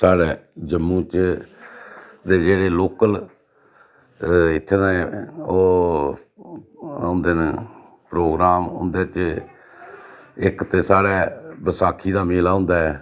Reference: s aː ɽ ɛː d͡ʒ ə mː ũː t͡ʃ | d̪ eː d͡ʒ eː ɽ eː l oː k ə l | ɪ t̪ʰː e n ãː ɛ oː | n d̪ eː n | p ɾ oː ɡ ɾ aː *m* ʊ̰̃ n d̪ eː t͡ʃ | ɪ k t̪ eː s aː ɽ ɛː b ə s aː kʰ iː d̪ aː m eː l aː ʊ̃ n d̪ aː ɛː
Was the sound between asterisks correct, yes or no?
yes